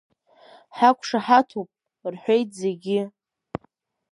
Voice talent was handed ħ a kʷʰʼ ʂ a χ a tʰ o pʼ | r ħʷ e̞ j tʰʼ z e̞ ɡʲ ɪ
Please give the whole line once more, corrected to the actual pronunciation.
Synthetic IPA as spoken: ħ a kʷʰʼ ʂ a ħ a tʰ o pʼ | r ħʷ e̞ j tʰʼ z e̞ ɡʲ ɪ